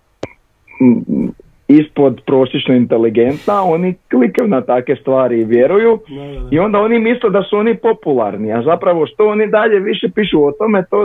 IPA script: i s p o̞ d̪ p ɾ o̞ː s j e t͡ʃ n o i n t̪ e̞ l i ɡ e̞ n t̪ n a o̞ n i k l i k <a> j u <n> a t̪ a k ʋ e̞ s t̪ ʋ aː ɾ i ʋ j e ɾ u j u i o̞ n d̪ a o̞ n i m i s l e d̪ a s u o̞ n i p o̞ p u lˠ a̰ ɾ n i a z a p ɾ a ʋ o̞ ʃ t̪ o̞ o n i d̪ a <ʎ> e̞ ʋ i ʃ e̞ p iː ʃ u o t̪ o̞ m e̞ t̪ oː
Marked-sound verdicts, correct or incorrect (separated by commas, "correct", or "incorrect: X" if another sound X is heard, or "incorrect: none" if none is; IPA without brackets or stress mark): correct, correct, correct